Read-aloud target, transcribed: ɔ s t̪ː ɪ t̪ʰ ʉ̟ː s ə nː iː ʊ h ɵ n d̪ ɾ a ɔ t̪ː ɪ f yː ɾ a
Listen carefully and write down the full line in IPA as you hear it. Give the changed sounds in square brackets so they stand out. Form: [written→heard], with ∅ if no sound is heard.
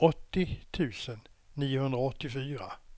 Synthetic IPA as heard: ɔ [s→∅] t̪ː ɪ t̪ʰ ʉ̟ː s ə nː iː ʊ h ɵ n d̪ ɾ a ɔ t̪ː ɪ f yː ɾ a